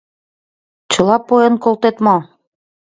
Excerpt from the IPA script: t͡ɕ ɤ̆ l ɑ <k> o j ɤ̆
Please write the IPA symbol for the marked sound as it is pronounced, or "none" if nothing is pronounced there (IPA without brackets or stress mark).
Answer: p